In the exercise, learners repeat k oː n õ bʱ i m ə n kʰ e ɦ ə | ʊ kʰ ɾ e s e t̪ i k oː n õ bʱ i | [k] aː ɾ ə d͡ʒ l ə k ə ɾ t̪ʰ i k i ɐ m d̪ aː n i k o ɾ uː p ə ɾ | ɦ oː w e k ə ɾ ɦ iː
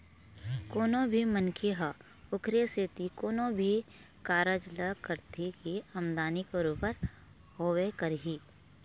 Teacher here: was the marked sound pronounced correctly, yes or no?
yes